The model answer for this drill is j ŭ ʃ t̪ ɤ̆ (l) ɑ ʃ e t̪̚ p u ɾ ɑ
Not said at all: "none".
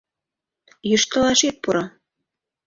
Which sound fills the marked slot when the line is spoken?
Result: l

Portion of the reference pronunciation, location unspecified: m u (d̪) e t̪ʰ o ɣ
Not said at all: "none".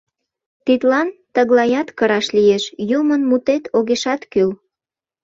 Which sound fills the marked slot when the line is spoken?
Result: t̪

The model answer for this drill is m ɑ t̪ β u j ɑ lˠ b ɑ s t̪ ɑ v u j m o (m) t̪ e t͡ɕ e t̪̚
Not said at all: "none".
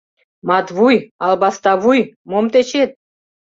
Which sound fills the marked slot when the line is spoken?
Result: m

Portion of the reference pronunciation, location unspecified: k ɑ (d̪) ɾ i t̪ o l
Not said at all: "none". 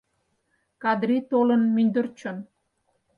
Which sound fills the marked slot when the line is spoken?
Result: d̪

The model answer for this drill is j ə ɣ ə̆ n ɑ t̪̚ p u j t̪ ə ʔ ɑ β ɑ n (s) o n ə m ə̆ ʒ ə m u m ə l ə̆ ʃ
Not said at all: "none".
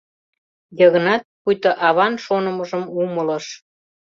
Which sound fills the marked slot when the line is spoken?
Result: ʃ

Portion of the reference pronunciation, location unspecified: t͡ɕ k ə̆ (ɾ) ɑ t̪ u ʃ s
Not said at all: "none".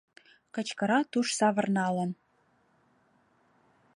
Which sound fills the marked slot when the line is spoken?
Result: ɾ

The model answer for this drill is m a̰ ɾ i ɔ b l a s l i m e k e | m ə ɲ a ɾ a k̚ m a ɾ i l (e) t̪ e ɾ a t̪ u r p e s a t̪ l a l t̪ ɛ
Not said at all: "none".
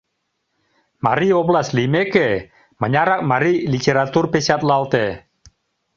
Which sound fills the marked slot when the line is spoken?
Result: i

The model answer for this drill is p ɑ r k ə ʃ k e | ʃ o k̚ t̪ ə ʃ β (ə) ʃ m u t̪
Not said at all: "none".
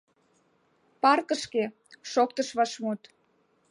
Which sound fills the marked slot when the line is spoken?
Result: ɑ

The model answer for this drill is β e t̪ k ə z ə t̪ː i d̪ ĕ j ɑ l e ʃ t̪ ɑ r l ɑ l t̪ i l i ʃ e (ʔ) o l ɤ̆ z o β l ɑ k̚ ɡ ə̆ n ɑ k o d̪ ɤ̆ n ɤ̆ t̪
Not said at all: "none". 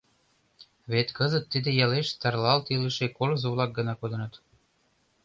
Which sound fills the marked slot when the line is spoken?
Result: k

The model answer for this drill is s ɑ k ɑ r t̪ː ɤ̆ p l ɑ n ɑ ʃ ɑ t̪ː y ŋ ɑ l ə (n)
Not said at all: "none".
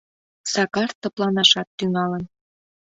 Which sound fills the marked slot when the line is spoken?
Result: n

